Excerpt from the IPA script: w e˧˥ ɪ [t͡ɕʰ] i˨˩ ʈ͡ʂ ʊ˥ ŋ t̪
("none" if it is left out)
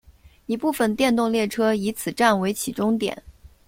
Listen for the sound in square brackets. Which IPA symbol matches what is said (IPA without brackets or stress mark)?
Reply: t͡ɕʰ